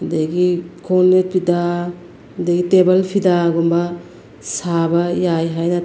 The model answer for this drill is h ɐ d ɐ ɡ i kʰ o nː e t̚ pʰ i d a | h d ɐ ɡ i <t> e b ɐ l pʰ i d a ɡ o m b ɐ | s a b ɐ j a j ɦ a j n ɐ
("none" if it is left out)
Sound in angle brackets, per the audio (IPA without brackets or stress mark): t